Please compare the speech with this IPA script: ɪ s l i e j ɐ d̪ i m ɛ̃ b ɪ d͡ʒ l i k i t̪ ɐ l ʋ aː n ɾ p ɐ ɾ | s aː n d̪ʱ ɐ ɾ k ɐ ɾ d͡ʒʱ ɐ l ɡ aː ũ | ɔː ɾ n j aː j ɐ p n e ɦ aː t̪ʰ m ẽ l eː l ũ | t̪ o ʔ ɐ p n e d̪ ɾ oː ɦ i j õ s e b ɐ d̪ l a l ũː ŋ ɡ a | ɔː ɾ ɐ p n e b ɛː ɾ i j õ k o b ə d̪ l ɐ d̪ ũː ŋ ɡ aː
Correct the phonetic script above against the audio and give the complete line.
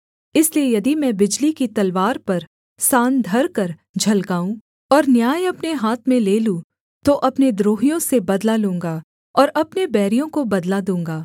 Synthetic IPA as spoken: ɪ s l i e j ɐ d̪ i m ɛ̃ b ɪ d͡ʒ l i k i t̪ ɐ l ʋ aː ɾ p ɐ ɾ | s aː n d̪ʱ ɐ ɾ k ɐ ɾ d͡ʒʱ ɐ l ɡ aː ũ | ɔː ɾ n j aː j ɐ p n e ɦ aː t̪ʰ m ẽ l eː l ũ | t̪ o ʔ ɐ p n e d̪ ɾ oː ɦ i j õ s e b ɐ d̪ l a l ũː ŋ ɡ a | ɔː ɾ ɐ p n e b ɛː ɾ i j õ k o b ɐ d̪ l a d̪ ũː ŋ ɡ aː